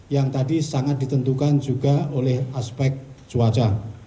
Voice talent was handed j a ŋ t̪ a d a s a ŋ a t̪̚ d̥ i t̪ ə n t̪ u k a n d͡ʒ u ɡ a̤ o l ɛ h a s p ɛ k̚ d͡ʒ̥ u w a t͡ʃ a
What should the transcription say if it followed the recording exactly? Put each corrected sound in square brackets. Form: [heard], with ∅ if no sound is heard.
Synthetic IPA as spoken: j a ŋ t̪ a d [i] s a ŋ a t̪̚ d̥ i t̪ ə n t̪ u k a n d͡ʒ u ɡ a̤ o l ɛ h a s p ɛ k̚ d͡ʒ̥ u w a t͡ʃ a